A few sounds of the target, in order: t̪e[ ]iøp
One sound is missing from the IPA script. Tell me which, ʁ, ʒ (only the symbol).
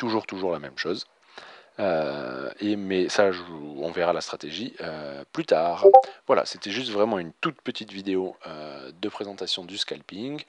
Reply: ʒ